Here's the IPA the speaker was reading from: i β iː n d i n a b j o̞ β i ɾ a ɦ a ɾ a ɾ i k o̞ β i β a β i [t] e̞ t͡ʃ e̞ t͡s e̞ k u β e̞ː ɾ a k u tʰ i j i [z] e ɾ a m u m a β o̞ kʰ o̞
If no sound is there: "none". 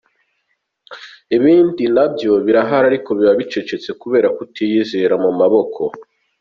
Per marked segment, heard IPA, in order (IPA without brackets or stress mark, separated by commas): t͡ʃ, z